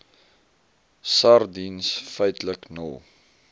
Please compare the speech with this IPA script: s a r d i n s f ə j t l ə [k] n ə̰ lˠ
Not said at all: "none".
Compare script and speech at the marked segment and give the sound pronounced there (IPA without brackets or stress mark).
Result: k